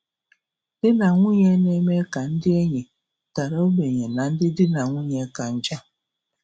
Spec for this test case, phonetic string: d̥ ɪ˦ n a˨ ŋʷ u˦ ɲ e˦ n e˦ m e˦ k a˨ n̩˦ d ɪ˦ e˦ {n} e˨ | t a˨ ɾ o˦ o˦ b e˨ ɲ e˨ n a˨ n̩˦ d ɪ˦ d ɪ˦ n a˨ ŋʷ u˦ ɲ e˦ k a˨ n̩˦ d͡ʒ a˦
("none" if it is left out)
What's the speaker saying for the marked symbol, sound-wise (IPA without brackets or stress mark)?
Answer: ɲ